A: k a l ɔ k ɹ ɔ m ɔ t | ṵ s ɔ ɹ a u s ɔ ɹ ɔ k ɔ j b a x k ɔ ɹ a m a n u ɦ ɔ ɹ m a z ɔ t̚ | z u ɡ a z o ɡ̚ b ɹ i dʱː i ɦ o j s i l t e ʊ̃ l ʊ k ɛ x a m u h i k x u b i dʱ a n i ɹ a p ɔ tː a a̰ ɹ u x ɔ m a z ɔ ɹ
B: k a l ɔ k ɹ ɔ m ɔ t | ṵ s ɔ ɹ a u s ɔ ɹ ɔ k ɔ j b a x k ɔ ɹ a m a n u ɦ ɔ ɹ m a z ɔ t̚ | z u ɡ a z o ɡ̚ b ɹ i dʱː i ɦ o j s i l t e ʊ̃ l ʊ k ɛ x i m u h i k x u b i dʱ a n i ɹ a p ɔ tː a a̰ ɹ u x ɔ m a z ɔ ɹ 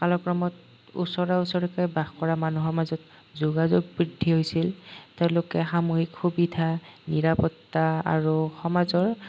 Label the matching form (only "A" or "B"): A